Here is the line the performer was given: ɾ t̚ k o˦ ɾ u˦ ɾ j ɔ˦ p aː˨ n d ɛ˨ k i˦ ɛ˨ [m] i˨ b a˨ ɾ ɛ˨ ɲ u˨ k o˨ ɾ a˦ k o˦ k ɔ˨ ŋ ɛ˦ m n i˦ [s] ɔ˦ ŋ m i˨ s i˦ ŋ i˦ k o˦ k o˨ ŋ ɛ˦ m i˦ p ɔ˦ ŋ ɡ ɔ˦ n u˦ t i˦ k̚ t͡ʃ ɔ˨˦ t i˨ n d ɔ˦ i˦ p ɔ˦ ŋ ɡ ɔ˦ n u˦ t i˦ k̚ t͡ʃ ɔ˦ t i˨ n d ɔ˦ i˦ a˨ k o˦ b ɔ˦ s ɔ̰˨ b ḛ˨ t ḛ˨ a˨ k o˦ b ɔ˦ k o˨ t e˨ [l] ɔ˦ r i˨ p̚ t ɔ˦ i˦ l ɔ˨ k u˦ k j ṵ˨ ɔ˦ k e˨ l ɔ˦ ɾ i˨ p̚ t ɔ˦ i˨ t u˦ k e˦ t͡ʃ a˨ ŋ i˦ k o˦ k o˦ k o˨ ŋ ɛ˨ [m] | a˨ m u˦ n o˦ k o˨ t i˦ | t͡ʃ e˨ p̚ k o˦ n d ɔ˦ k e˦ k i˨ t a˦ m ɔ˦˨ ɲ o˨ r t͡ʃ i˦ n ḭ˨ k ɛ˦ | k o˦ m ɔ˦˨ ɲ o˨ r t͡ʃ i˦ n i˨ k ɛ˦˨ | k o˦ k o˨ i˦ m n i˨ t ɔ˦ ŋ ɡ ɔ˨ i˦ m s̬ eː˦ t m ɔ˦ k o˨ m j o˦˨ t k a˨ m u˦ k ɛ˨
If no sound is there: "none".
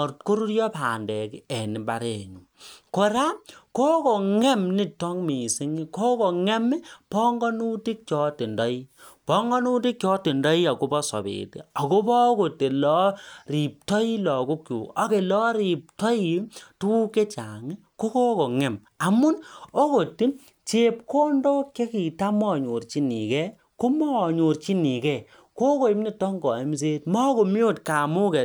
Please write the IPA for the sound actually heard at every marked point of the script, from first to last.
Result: n, t, l, m

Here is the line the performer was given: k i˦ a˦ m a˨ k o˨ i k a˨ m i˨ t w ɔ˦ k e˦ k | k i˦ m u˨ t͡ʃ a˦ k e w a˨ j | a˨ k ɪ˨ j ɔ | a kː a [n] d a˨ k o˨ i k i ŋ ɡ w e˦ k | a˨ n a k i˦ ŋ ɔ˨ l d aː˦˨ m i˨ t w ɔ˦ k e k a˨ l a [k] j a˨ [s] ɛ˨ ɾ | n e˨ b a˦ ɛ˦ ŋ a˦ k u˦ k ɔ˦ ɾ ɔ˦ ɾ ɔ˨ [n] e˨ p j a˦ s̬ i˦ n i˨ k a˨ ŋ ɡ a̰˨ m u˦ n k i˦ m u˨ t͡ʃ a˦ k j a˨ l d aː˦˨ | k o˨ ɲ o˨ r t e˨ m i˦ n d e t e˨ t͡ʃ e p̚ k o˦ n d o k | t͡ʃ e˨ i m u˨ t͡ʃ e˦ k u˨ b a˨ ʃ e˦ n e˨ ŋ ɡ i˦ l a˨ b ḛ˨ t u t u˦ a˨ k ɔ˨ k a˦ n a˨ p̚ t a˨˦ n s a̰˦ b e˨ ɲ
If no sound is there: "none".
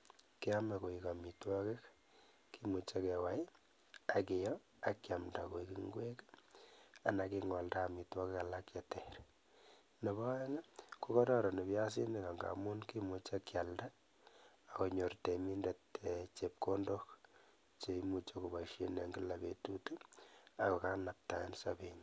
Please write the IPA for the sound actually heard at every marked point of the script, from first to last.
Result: m, k, t, n

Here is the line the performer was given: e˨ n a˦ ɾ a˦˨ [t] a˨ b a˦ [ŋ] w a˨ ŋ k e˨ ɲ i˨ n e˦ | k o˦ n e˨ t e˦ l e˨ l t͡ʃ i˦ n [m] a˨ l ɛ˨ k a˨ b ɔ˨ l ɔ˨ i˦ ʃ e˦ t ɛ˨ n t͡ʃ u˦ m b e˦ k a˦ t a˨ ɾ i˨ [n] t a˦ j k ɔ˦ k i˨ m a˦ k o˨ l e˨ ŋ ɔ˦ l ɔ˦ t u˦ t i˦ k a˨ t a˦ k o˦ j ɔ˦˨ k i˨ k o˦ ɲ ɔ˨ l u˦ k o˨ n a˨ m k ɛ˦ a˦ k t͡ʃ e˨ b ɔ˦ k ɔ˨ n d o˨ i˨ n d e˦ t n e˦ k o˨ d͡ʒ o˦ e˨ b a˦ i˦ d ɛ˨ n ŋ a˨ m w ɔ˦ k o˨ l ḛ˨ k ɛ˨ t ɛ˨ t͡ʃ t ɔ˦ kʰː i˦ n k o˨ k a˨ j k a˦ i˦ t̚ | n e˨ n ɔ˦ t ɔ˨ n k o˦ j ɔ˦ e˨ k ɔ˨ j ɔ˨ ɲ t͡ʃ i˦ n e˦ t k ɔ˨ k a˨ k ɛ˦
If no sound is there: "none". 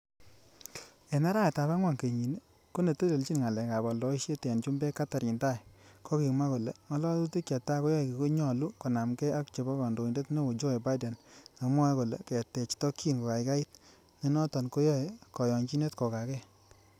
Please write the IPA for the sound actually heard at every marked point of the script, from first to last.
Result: t, ŋ, ŋ, n

